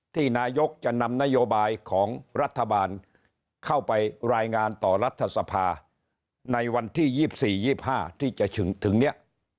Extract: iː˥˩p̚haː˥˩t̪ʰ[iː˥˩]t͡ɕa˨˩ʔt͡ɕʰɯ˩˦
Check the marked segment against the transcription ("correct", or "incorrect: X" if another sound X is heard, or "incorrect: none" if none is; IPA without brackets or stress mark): correct